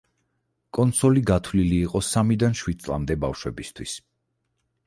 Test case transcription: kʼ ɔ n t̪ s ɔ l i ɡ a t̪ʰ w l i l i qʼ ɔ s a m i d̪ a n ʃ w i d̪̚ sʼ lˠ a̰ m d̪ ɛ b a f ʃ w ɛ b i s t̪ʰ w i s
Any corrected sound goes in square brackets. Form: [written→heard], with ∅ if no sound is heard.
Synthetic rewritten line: kʼ ɔ n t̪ s ɔ l i ɡ a t̪ʰ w l i l [i→iː] qʼ ɔ s a m i d̪ a n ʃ w i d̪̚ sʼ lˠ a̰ m d̪ ɛ b a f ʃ w ɛ b i s t̪ʰ w i s